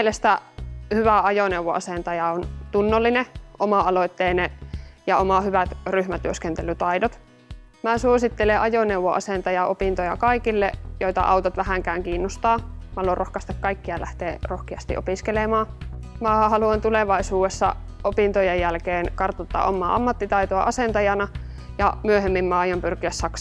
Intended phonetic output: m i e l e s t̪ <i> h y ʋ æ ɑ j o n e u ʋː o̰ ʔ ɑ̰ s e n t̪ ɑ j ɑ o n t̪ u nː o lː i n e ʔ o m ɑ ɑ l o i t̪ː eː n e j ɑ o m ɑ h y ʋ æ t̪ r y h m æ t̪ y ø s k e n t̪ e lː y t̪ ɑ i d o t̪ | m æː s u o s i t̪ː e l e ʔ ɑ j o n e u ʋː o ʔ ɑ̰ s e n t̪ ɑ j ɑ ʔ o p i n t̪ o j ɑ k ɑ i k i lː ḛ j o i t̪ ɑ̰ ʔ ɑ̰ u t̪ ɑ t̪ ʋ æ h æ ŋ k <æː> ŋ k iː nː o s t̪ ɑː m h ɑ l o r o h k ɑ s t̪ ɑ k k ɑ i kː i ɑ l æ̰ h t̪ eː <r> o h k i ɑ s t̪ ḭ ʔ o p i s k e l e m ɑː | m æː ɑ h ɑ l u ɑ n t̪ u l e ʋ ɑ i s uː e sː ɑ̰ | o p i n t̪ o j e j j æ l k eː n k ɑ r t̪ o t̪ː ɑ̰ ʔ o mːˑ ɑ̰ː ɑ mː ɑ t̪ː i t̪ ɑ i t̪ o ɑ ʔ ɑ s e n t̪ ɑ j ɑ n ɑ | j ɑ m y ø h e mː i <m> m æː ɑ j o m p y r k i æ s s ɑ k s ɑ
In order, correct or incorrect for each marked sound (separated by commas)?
incorrect, correct, correct, correct